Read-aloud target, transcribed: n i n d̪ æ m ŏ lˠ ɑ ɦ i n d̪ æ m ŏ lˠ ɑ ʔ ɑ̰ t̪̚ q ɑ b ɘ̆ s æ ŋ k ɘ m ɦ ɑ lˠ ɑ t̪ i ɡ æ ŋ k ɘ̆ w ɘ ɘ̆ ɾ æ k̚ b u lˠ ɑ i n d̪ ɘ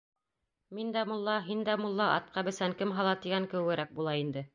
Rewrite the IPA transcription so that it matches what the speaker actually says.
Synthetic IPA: m i n d̪ æ m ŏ lˠː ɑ ɦ i n d̪ æ m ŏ lˠː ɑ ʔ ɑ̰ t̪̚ q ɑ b ɘ̆ s æ ŋ k ɘ m ɦ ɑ lˠ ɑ t̪ i ɡ æ ŋ k ɘ̆ w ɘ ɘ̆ ɾ æ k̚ b u lˠ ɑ i n d̪ ɘ

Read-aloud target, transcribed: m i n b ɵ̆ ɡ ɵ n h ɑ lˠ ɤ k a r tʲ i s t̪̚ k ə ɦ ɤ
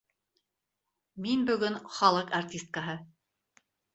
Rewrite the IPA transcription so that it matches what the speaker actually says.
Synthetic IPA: m i n b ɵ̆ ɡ ɵ n χ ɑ lˠ ɤ q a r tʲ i s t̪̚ k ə ɦ ɤ

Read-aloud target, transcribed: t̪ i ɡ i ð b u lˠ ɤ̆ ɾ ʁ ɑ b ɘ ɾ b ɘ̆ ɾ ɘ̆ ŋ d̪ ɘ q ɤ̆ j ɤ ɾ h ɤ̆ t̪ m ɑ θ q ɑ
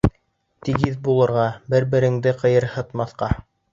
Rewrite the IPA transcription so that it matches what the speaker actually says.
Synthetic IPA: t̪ i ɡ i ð b u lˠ ɤ̆ ɾ ʁ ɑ b ɘ ɾ b ɘ̆ ɾ ɘ̆ ŋ d̪ ɘ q ɤ̆ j ɤ ɾ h ɤ̆ t̪ m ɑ θ q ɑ

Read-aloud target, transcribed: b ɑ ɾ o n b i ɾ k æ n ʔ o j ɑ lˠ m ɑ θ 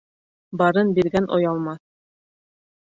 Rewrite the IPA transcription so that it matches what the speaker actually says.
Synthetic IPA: b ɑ ɾ ɤ n b i ɾ ɡ æ n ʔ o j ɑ lˠ m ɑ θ

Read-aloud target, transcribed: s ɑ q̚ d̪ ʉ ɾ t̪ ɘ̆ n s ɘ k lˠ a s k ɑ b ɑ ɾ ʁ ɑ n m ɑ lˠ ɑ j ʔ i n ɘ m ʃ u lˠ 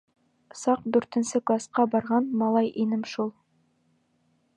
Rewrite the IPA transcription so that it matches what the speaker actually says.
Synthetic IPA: s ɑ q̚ d̪ ʉ ɾ t̪ ɘ̆ n s ɘ k lˠ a s q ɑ b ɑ ɾ ʁ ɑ n m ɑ lˠ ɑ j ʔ i n ɘ m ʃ u lˠ

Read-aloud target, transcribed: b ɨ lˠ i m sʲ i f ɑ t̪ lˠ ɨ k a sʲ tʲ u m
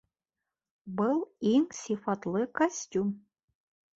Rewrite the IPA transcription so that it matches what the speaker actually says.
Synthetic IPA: b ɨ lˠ i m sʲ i f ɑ t̪ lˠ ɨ k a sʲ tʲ u m

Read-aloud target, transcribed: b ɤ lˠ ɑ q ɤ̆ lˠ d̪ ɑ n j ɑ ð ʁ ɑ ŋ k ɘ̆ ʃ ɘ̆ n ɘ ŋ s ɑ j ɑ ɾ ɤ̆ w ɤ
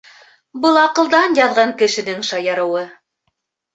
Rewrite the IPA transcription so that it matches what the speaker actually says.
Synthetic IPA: b ɤ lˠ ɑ q ɤ̆ lˠ d̪ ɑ n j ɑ ð ʁ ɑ ŋ k ɘ̆ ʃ ɘ̆ n ɘ ŋ ʃ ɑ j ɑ ɾ ɤ̆ w ɤ

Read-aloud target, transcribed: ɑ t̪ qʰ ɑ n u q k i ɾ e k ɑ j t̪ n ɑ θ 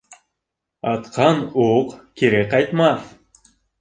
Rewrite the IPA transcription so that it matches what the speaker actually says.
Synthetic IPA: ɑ t̪ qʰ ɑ n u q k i ɾ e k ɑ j t̪ m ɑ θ

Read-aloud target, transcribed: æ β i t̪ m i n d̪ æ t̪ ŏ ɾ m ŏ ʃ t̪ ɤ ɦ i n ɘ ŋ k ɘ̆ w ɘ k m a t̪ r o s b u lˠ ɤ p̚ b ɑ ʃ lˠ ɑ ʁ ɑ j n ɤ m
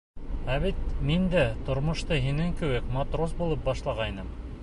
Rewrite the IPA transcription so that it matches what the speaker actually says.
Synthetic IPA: æ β i t̪ m i n d̪ æ t̪ ŏ ɾ m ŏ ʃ t̪ ɤ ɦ i n ɘ ŋ k ɘ̆ w ɘ k m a t̪ r o s b u lˠ ɤ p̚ b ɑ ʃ lˠ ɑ ʁ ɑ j n ɤ m

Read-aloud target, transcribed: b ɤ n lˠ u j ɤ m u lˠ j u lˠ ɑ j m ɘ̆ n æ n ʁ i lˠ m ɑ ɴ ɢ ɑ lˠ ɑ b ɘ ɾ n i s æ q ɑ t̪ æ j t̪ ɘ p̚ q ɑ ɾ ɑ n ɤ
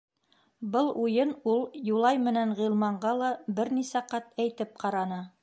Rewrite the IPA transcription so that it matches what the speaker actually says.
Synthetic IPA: b ɤ lˠ u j ɤ n u lˠ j u lˠ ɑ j m ɘ̆ n æ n ʁ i lˠ m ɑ ɴ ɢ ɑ lˠ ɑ b ɘ ɾ n i s æ q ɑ t̪ æ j t̪ ɘ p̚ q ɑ ɾ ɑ n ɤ

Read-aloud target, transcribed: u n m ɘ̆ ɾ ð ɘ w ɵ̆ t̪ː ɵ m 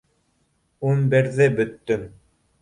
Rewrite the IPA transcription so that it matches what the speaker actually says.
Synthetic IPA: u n b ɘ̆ ɾ ð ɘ b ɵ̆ t̪ː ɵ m

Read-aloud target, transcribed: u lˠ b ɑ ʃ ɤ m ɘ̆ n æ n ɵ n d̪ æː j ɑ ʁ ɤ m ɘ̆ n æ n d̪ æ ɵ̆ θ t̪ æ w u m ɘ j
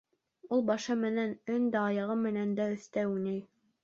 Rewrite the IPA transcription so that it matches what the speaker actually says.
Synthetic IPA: u lˠ b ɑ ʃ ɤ m ɘ̆ n æ n ɵ n d̪ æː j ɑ ʁ ɤ m ɘ̆ n æ n d̪ æ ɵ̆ θ t̪ æ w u n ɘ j

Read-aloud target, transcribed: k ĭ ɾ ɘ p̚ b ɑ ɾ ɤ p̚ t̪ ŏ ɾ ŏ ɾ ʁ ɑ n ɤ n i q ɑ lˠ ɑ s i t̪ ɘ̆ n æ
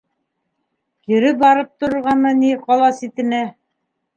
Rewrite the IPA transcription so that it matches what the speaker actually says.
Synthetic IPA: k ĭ ɾ ɘ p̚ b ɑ ɾ ɤ p̚ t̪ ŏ ɾ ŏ ɾ ʁ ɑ n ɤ n i q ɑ lˠ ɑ s i t̪ ɘ̆ n æ

